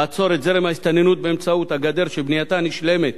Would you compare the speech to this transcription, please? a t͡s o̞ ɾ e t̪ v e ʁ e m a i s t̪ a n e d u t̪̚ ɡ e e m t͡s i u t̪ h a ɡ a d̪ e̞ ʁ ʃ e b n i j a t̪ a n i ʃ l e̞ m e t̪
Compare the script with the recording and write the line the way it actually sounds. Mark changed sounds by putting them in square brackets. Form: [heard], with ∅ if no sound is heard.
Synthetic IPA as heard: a t͡s o̞ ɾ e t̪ [z] e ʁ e m a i s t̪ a n e [n] u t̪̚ [b] e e m t͡s [a] u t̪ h a ɡ a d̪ e̞ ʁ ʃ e b n i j a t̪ a n i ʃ l e̞ m e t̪